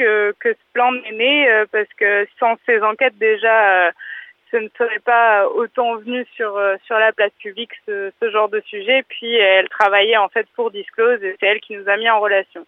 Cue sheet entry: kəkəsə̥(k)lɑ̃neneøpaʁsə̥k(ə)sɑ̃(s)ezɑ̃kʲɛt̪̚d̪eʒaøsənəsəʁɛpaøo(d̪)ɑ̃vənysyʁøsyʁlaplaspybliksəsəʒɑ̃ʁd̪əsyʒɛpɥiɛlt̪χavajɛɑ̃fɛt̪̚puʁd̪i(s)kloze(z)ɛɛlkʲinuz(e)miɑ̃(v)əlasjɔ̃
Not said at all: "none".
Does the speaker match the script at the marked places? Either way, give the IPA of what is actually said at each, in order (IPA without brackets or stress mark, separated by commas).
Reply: p, ə, s, t̪, s, s, a, ʁ